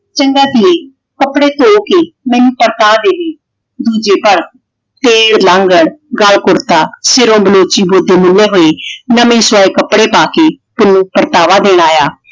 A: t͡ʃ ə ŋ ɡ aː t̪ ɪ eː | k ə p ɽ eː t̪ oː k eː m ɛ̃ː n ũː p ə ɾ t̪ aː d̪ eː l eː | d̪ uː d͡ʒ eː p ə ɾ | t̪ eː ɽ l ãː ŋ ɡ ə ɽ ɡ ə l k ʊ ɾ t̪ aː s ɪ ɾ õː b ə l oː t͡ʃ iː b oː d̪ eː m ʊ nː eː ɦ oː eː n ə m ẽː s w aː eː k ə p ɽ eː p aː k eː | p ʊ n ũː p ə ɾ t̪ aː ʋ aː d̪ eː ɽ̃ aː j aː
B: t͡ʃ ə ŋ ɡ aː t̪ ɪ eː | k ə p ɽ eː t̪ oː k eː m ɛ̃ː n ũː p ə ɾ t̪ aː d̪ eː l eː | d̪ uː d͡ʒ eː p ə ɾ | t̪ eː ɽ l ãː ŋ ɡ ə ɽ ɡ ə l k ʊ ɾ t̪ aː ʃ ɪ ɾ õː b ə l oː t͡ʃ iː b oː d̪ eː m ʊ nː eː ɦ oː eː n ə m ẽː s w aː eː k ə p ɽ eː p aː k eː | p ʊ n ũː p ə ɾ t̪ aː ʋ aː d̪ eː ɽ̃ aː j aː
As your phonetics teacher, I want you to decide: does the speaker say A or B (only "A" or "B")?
A